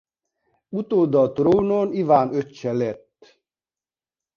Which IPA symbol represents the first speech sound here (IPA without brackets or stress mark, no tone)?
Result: u